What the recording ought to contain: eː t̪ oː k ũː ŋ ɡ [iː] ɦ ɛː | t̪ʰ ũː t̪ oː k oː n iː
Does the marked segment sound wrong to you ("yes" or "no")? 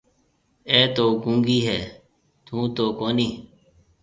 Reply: no